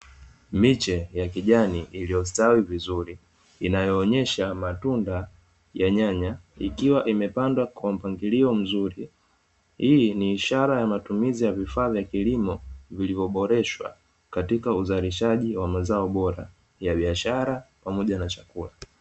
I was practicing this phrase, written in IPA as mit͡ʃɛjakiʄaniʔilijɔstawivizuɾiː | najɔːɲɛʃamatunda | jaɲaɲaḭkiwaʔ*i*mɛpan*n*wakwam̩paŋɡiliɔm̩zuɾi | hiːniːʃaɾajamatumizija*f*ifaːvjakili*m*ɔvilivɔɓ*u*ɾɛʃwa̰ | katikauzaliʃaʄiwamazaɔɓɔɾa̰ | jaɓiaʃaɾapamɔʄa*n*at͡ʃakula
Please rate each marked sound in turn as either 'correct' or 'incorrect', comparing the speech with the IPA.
correct, incorrect, incorrect, correct, incorrect, correct

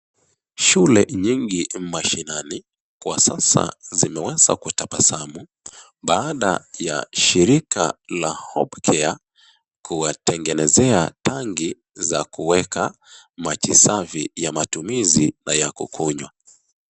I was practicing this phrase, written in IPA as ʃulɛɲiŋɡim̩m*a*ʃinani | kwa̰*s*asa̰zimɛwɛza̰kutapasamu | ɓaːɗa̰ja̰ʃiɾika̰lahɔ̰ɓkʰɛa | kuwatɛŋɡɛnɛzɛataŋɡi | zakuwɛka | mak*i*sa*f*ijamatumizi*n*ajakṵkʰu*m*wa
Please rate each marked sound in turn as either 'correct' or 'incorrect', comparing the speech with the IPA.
correct, correct, correct, incorrect, correct, incorrect

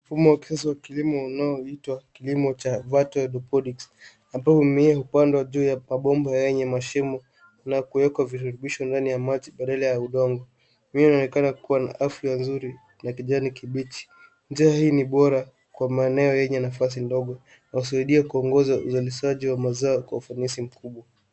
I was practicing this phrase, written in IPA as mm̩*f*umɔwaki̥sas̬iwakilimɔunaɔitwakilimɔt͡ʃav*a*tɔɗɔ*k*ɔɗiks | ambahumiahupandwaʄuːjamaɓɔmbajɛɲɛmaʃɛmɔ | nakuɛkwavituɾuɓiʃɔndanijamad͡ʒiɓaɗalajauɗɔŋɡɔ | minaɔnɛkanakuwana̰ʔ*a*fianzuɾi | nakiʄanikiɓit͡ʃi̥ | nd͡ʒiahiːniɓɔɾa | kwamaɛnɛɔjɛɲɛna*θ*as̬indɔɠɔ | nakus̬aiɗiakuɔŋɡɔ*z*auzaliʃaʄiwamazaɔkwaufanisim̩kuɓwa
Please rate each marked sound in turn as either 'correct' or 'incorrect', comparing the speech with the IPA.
correct, correct, incorrect, correct, incorrect, correct

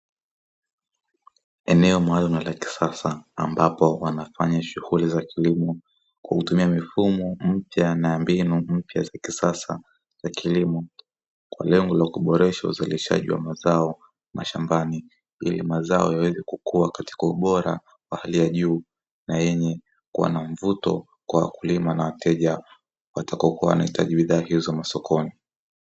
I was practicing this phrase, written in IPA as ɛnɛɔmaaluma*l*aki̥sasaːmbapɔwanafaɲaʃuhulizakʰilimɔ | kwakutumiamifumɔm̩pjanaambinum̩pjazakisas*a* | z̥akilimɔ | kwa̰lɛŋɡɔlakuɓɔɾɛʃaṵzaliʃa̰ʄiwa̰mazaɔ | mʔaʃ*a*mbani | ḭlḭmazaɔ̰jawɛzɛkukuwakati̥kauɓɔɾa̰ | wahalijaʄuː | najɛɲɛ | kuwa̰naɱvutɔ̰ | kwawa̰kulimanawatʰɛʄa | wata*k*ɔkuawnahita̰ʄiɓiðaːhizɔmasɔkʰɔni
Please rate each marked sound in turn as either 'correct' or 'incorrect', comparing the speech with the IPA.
correct, correct, correct, correct

